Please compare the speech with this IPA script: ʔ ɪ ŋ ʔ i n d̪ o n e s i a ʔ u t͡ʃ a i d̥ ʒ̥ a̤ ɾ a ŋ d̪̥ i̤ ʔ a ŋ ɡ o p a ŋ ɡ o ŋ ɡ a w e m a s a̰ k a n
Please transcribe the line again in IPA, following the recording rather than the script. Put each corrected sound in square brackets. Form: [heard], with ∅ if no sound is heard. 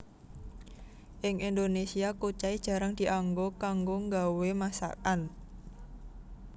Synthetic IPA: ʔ ɪ ŋ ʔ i n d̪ o n e s i a [k] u t͡ʃ a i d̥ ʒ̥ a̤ ɾ a ŋ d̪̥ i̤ ʔ a ŋ ɡ o [k] a ŋ ɡ o ŋ ɡ a w e m a s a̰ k a n